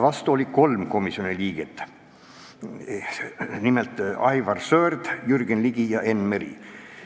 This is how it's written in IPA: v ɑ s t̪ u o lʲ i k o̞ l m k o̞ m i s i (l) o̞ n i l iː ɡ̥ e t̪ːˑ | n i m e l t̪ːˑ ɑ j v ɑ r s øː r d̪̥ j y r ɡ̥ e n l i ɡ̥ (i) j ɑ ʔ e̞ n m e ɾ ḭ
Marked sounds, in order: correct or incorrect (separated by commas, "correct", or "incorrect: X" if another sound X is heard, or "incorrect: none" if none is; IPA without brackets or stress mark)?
incorrect: none, correct